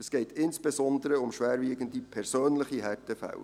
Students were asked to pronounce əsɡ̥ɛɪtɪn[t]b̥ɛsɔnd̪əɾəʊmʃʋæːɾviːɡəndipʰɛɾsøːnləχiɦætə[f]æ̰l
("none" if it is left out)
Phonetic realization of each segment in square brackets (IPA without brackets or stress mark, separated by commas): s, f